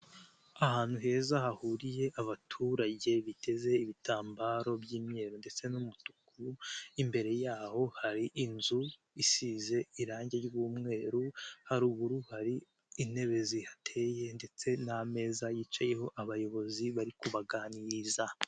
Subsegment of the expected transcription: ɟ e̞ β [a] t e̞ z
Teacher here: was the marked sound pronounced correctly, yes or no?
no